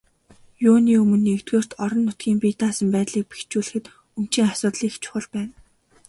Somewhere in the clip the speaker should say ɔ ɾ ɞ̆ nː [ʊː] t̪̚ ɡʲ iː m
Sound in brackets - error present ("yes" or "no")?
yes